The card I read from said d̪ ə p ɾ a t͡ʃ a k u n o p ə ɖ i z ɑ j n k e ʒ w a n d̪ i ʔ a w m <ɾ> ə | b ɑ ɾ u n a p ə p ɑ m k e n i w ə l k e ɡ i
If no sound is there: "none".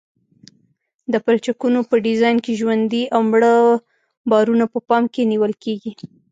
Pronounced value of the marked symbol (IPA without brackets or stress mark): ɽ